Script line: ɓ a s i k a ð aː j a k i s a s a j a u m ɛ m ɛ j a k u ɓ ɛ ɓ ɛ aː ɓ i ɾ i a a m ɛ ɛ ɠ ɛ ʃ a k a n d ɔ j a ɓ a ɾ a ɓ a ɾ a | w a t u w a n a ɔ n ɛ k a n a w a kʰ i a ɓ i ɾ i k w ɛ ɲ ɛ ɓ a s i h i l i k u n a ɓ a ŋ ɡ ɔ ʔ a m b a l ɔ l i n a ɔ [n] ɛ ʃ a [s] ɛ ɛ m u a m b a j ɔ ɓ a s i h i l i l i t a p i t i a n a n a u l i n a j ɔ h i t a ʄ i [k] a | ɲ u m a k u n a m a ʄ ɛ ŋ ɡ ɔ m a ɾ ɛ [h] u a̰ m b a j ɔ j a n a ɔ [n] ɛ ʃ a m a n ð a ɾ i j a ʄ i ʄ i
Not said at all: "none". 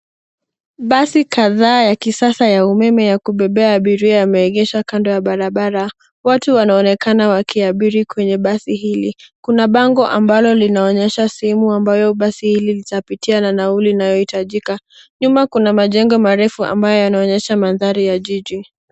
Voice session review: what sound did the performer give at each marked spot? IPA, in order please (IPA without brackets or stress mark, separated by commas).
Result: ɲ, s, k, f, ɲ